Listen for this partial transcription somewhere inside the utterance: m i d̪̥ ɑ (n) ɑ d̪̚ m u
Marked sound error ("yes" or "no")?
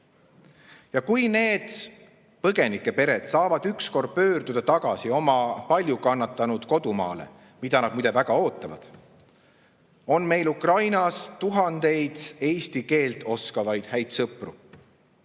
no